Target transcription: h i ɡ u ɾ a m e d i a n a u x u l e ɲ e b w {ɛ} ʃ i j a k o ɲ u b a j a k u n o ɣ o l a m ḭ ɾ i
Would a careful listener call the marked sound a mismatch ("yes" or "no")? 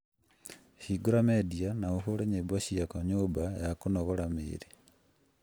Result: yes